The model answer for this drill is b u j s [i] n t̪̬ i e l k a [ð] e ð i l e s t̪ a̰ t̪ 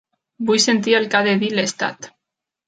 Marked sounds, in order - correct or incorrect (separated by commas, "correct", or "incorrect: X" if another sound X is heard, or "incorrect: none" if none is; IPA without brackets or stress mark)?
incorrect: e, correct